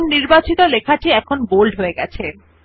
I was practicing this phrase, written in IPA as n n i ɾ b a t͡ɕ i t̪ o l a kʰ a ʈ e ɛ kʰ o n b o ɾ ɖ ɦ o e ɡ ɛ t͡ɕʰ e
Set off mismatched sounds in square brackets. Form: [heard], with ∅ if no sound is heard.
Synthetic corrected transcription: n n i ɾ b a t͡ɕ i t̪ o l [e] kʰ a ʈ [i] ɛ kʰ o n b o [l] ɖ ɦ o e ɡ ɛ t͡ɕʰ e